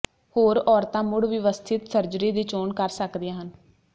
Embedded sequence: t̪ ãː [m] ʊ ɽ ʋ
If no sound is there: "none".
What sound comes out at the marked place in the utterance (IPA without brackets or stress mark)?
m